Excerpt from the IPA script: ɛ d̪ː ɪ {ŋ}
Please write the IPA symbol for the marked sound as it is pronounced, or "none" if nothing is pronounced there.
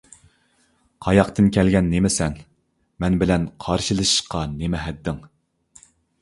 ŋ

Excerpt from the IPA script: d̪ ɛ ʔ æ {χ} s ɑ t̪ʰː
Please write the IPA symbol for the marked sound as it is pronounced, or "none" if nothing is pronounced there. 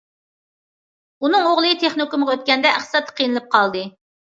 χ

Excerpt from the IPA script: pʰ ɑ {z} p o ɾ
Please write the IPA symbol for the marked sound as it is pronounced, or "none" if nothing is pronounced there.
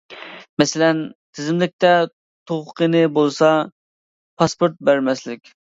s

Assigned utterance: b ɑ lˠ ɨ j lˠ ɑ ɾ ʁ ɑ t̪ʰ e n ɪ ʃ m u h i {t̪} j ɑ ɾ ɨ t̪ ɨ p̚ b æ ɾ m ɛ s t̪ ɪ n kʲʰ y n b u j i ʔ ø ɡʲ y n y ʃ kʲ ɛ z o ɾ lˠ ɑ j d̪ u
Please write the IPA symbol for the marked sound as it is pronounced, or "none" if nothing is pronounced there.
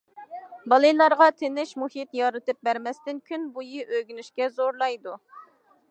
t̪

